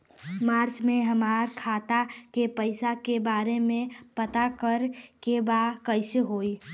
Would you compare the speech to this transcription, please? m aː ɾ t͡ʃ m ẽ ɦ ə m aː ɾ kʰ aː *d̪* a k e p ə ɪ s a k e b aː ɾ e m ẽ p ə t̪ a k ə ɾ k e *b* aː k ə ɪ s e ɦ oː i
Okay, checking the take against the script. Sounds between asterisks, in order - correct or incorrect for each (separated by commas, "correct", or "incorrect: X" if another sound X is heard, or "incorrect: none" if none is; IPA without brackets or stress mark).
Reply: incorrect: t̪, correct